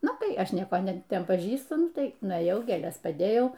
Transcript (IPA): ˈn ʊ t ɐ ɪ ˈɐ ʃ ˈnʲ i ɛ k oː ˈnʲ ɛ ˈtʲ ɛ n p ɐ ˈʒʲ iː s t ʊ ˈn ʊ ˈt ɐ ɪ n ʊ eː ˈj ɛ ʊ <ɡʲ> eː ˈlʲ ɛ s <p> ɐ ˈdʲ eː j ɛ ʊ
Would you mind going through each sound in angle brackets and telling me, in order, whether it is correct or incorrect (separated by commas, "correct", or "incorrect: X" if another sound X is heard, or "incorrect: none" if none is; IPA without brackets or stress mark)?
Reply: correct, correct